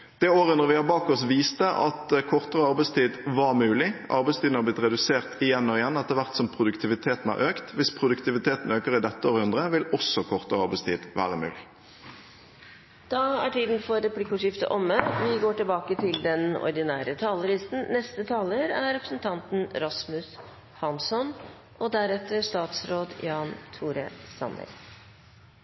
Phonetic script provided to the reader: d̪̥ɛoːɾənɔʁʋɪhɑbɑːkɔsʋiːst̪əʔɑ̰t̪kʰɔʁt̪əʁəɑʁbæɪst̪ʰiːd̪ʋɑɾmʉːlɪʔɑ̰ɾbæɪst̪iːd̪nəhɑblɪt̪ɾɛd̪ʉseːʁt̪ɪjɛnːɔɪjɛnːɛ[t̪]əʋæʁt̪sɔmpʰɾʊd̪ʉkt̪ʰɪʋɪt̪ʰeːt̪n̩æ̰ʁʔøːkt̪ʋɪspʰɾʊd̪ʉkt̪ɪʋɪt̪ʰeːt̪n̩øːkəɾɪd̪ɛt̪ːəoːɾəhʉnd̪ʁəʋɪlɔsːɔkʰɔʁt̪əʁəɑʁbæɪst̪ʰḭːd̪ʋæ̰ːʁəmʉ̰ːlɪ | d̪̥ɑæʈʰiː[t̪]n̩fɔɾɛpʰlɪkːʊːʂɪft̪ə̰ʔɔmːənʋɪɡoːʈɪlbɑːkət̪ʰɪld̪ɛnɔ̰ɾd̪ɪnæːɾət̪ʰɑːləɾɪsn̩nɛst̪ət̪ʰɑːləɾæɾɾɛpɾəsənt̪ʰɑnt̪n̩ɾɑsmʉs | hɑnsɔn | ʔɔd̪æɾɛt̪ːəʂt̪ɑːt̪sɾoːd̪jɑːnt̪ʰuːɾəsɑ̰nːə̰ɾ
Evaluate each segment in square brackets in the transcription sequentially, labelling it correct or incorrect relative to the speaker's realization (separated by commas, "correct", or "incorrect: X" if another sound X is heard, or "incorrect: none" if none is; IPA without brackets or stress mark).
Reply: correct, incorrect: d̪